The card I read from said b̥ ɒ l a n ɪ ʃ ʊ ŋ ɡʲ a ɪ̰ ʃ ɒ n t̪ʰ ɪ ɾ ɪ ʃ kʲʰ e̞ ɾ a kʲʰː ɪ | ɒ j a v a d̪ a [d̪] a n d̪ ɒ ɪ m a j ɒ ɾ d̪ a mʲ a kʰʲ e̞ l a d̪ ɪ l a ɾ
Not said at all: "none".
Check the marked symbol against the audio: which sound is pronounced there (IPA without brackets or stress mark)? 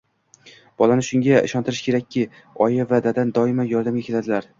d̪